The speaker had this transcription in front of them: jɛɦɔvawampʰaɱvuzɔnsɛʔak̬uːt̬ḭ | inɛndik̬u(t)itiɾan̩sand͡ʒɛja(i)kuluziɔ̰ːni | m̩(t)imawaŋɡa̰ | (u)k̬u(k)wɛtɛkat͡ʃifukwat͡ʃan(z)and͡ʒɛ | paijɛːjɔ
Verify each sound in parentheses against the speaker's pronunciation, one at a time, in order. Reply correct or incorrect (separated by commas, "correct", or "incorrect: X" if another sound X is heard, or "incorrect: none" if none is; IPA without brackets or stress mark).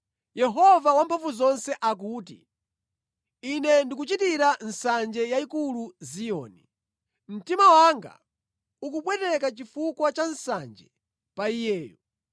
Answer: incorrect: t͡ʃ, correct, correct, correct, incorrect: p, incorrect: s